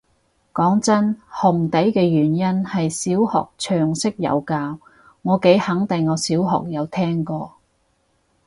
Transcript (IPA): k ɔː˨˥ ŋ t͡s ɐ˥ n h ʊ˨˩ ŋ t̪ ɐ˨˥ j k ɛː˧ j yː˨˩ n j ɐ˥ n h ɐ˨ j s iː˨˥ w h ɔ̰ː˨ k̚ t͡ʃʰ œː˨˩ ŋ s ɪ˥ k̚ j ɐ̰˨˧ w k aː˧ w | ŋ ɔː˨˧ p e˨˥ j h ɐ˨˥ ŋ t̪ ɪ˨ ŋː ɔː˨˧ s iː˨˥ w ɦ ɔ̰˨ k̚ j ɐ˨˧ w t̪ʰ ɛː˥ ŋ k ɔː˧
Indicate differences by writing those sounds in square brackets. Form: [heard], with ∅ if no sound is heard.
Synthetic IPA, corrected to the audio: k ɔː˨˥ ŋ t͡s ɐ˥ n h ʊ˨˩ ŋ t̪ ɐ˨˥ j k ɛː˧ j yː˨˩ n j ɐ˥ n h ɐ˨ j s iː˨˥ w h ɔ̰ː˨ k̚ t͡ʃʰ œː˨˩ ŋ s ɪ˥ k̚ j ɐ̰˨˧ w k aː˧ w | ŋ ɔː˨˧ [k] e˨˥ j h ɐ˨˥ ŋ t̪ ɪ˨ ŋː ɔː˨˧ s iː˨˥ w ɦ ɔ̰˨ k̚ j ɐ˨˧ w t̪ʰ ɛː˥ ŋ k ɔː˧